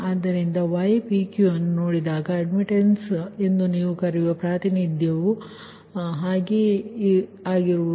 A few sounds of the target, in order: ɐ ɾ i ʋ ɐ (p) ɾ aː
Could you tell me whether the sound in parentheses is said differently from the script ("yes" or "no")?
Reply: no